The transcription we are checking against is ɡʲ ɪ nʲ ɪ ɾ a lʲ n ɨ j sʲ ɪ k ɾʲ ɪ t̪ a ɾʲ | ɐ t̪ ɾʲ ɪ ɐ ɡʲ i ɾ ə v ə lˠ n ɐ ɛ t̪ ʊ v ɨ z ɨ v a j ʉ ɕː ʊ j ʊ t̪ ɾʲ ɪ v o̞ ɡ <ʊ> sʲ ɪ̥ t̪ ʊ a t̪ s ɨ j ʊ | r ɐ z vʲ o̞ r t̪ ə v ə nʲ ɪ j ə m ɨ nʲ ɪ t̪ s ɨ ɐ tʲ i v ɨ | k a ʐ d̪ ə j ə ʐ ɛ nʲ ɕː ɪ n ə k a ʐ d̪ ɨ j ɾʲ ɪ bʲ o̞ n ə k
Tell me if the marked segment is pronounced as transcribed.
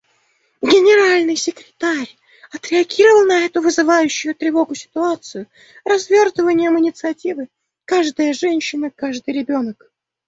yes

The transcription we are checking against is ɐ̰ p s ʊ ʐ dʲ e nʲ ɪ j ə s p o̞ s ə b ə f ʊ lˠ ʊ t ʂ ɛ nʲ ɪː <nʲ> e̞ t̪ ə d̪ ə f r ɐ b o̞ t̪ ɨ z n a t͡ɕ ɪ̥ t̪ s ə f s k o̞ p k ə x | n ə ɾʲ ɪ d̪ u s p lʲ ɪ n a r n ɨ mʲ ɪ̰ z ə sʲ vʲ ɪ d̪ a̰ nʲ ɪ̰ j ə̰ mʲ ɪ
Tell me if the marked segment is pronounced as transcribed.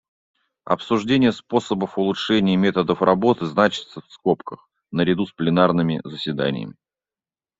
no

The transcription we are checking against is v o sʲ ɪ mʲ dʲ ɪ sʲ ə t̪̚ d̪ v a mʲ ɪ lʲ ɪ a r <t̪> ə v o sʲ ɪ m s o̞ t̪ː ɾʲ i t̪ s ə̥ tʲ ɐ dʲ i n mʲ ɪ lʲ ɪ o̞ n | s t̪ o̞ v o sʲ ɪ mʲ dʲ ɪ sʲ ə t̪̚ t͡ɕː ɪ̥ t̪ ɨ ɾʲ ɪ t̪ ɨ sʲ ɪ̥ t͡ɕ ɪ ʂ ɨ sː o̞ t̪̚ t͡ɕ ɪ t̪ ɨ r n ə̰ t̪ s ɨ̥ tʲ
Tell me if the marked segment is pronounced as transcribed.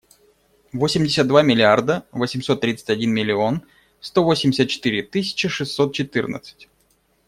no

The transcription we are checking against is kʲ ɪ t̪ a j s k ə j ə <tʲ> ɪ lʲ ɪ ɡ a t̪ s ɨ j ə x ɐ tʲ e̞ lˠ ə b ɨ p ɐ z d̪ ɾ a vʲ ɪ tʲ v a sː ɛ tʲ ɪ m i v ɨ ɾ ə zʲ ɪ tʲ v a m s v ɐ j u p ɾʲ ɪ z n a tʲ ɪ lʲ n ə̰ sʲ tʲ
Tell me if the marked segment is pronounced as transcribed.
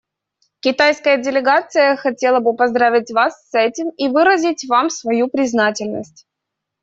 no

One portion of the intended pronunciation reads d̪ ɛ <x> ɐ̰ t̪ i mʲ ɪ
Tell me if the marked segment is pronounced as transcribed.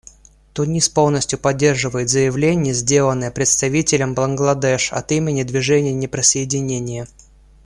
no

